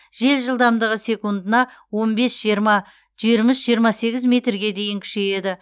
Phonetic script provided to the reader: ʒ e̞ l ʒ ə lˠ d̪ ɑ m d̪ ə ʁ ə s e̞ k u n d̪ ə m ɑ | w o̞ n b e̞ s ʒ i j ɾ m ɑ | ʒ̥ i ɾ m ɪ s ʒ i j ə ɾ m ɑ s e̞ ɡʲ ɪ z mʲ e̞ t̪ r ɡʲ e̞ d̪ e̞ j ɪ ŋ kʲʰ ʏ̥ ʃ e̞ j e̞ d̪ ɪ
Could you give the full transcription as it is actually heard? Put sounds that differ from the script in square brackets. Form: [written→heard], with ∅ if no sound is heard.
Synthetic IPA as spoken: ʒ e̞ l ʒ ə lˠ d̪ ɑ m d̪ ə ʁ ə s e̞ k u n d̪ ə [m→n] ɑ | w o̞ n b e̞ s ʒ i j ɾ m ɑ | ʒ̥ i ɾ m ɪ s ʒ i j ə ɾ m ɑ s e̞ ɡʲ ɪ z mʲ e̞ t̪ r ɡʲ e̞ d̪ e̞ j ɪ ŋ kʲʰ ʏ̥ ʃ e̞ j e̞ d̪ ɪ